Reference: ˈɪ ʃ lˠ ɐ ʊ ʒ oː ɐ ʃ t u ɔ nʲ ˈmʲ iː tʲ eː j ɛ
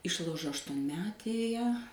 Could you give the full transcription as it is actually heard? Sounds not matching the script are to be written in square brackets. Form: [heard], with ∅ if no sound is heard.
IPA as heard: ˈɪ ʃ lˠ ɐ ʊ ʒ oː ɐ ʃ t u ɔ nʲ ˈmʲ [æː] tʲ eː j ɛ